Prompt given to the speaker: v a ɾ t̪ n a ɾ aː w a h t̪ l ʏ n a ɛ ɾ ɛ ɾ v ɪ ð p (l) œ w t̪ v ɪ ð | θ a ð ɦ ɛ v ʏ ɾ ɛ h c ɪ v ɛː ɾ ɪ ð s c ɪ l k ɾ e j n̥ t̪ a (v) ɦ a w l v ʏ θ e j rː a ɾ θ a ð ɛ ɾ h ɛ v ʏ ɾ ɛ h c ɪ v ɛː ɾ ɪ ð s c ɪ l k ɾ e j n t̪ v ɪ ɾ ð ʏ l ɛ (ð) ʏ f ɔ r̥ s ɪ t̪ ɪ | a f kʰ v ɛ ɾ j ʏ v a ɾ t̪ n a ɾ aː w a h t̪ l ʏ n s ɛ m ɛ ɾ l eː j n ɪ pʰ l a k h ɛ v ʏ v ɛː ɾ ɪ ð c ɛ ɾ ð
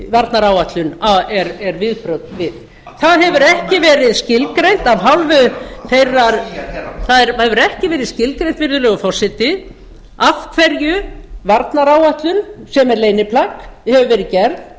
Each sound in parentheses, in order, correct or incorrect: incorrect: ɾ, correct, incorrect: ɣ

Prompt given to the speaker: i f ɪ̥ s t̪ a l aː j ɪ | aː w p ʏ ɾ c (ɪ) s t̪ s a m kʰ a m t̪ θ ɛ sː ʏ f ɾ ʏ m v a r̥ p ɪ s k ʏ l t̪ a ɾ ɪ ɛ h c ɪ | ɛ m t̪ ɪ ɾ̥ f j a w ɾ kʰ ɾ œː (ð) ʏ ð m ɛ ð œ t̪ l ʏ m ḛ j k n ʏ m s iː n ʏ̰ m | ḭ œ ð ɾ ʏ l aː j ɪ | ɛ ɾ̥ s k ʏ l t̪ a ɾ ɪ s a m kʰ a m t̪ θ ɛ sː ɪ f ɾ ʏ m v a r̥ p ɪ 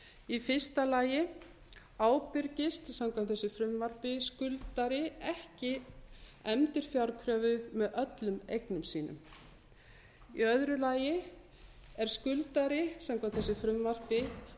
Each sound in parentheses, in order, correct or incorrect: correct, incorrect: v

